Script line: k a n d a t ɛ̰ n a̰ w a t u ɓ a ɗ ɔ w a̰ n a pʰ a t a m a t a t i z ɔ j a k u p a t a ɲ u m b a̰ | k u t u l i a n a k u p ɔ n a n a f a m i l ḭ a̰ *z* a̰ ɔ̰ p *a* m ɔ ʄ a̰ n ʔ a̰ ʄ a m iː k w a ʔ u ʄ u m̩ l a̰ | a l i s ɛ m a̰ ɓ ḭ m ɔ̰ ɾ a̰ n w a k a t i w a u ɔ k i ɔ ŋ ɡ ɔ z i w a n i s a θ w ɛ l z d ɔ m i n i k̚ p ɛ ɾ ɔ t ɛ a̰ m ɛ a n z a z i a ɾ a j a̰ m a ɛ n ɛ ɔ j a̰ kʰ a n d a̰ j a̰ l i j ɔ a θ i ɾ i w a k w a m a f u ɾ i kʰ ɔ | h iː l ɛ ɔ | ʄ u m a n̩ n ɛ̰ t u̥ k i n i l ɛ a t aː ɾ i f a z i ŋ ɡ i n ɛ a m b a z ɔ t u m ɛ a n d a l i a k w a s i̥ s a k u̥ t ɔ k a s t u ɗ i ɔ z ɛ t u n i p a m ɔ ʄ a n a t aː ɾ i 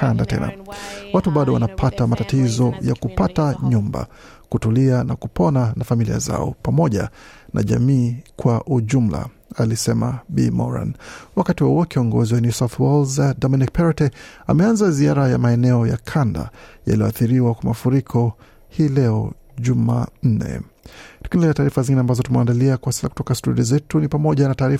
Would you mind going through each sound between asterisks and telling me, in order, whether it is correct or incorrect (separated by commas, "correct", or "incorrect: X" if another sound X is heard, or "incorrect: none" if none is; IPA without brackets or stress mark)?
correct, correct